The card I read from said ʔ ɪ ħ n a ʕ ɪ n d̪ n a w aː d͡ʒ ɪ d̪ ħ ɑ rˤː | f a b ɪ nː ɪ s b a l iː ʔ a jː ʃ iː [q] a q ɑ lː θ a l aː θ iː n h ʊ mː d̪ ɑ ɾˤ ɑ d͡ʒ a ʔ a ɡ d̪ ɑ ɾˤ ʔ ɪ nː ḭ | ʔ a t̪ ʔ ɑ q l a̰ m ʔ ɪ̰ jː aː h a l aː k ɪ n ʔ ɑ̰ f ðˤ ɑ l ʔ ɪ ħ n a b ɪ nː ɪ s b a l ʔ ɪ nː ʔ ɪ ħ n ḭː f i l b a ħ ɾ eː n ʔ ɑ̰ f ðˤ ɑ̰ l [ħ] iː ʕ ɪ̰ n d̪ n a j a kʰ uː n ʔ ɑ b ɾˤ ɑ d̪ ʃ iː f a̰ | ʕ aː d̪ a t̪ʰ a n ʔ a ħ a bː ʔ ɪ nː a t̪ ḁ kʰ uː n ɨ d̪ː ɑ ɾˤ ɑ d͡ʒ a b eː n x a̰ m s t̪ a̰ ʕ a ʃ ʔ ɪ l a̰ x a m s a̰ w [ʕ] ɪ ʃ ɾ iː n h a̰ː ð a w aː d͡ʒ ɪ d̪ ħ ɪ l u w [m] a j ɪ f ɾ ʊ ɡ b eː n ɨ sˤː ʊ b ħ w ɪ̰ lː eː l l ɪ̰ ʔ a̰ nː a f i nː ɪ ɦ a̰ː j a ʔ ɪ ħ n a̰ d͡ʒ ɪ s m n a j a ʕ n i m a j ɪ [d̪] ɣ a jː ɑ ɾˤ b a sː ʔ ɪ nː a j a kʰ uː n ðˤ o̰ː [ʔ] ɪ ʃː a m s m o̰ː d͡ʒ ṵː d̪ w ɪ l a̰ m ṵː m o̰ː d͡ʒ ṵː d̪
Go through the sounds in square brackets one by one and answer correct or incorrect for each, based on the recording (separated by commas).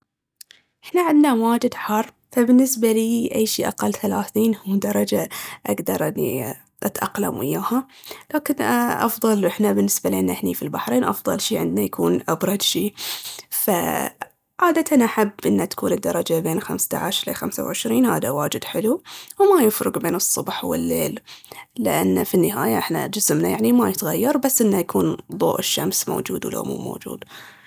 incorrect, incorrect, correct, correct, incorrect, correct